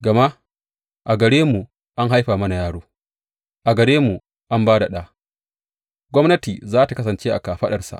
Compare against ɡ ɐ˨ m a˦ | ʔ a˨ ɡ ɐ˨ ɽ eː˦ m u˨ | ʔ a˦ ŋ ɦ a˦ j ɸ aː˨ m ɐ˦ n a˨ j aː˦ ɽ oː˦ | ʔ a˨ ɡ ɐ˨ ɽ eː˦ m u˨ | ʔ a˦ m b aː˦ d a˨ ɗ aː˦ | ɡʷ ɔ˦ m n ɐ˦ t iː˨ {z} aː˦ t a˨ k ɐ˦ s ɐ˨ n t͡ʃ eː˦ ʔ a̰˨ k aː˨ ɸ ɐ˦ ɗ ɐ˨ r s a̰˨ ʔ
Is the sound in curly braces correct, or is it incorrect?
correct